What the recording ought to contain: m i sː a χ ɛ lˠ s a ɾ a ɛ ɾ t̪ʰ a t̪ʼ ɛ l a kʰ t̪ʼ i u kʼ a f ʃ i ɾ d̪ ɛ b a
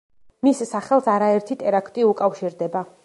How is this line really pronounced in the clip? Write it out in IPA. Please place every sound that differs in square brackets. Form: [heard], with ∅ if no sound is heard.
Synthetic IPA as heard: m i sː a χ ɛ lˠ s a ɾ a ɛ ɾ t̪ʰ [i] t̪ʼ ɛ [ɾ] a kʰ t̪ʼ i u kʼ a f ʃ i ɾ d̪ ɛ b a